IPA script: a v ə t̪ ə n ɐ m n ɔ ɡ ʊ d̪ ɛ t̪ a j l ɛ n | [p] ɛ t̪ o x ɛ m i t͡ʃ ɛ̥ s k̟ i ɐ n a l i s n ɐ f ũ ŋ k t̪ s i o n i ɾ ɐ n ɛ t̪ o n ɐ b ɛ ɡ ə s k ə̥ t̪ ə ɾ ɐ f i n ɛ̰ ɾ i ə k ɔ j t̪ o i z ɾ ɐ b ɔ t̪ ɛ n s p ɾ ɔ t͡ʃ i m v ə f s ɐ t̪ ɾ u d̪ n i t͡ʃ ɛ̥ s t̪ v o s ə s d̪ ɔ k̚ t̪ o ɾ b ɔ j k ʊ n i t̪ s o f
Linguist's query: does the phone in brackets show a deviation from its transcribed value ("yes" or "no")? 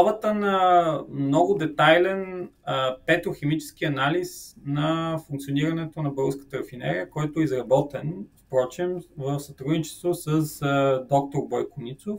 no